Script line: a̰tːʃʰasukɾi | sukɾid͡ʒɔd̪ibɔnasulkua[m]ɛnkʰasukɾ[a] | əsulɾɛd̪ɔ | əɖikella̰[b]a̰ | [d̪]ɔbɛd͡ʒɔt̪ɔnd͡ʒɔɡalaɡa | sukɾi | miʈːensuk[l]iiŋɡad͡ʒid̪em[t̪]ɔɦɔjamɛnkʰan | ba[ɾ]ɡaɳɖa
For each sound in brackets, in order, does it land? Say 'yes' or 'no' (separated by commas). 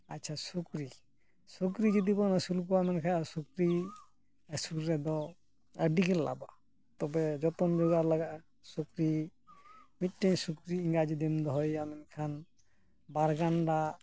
yes, no, yes, no, no, no, yes